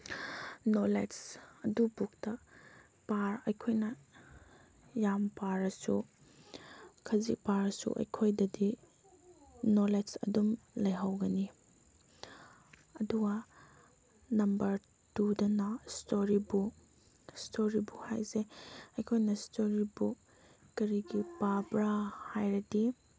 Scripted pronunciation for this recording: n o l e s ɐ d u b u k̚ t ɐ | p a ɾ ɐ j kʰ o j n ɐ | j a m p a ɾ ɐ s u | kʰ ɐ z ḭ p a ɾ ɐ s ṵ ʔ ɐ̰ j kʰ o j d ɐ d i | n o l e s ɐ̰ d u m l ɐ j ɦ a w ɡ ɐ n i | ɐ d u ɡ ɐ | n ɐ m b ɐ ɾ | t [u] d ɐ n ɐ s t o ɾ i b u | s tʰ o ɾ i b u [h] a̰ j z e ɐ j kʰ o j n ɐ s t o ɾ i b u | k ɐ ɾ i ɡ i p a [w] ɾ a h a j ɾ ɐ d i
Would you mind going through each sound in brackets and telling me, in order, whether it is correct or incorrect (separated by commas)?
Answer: correct, correct, incorrect